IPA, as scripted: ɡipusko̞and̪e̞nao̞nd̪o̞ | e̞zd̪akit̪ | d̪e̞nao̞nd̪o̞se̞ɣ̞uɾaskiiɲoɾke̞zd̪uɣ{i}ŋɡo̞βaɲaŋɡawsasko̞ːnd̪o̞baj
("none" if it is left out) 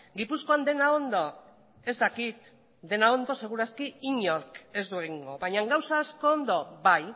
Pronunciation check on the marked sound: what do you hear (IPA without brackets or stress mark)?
i